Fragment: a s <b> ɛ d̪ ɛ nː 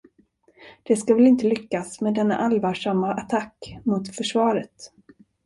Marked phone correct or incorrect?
incorrect